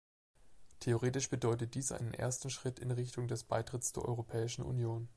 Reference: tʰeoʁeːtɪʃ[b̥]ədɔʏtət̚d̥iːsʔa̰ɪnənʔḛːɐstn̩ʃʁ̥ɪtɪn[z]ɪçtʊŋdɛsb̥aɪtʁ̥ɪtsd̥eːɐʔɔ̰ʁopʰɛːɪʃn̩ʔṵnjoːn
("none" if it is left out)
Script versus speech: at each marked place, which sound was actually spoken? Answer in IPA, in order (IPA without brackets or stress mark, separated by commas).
b̥, ʁ